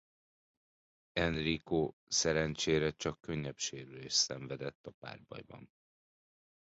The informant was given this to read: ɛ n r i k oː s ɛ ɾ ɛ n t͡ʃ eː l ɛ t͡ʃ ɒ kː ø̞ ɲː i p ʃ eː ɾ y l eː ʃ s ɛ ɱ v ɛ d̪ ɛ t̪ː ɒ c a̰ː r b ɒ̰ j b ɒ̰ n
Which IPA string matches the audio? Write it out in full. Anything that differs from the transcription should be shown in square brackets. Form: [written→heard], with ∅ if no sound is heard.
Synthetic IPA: ɛ n r i k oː s ɛ ɾ ɛ n t͡ʃ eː [l→ɾ] ɛ t͡ʃ ɒ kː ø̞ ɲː [i→ɛ] p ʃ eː ɾ y l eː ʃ s ɛ ɱ v ɛ d̪ ɛ t̪ː ɒ [c→p] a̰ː r b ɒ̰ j b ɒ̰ n